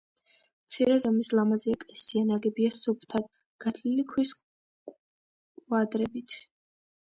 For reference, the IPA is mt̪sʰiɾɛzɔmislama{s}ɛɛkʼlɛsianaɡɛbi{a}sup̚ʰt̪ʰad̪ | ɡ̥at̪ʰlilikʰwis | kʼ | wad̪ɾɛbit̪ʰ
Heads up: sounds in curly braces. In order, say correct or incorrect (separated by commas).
incorrect, correct